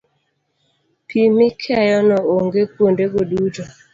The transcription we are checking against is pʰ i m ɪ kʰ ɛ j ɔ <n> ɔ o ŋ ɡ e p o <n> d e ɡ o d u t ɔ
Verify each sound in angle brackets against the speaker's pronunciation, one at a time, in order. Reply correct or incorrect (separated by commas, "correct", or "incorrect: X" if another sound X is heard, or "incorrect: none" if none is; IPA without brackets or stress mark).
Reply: correct, correct